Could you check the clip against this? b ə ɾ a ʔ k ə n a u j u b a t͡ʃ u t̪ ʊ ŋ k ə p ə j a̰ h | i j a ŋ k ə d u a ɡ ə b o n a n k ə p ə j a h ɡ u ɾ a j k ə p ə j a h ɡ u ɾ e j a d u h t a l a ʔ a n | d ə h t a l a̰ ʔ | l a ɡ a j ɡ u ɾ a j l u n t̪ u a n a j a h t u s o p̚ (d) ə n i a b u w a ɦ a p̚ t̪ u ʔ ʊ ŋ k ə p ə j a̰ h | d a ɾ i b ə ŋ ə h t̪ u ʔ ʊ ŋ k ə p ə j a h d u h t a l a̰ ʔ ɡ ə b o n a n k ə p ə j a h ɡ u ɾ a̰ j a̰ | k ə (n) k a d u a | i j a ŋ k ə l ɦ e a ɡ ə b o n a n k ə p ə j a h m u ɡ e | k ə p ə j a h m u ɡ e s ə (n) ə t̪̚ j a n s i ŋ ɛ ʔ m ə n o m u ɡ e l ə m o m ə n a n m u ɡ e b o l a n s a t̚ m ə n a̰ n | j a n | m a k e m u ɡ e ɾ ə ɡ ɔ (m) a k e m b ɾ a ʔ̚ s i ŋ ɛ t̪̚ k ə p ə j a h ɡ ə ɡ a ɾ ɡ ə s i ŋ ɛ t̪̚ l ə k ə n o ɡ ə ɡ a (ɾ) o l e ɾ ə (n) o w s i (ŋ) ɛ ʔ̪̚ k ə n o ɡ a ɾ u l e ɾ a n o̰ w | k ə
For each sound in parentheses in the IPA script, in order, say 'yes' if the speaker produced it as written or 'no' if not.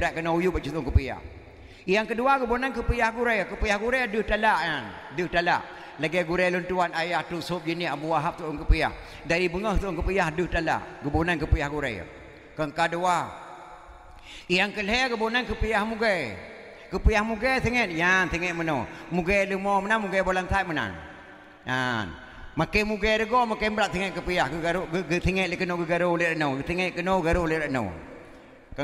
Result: no, no, no, yes, yes, yes, yes

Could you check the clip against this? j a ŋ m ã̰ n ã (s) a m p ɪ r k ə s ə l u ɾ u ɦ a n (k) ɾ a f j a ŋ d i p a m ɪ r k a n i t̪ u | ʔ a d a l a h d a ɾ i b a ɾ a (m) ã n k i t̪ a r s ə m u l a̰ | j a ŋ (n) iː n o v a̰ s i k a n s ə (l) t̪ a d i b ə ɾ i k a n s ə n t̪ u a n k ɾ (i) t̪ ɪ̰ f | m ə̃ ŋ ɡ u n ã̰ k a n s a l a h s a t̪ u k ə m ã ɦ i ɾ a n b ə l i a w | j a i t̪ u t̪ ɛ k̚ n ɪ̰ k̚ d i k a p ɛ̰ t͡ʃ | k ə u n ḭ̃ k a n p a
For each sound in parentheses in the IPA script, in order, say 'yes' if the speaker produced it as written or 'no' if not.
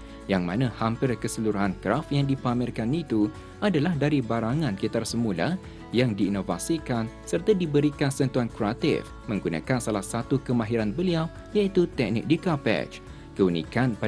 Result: no, yes, no, no, no, no

